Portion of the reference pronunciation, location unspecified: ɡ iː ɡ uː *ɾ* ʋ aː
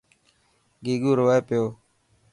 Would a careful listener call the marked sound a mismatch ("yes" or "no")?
no